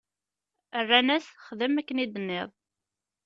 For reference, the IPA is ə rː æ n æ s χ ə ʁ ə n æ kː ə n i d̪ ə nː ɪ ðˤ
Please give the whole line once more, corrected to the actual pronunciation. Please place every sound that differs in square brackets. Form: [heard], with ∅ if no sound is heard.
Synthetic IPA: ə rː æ n æ s χ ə [ð] ə [m] æ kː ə n i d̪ ə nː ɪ ðˤ